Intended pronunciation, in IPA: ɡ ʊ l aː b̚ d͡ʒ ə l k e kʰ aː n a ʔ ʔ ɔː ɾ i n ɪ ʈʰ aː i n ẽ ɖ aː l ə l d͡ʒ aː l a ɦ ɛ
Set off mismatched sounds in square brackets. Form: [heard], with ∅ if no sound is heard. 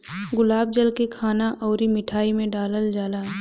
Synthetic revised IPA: ɡ ʊ l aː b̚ d͡ʒ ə l k e kʰ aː n a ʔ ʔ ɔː ɾ i [m] ɪ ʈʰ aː i [m] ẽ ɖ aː l ə l d͡ʒ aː l a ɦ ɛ